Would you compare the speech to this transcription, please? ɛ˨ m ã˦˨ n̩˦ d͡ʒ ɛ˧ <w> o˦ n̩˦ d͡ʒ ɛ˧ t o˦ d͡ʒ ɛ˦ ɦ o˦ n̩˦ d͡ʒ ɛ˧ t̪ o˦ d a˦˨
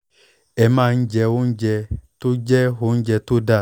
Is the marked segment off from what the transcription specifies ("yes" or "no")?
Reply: no